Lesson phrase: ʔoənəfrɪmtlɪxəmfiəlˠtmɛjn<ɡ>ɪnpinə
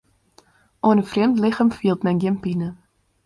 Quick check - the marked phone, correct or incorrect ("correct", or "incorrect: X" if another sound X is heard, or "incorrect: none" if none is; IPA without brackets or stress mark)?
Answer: correct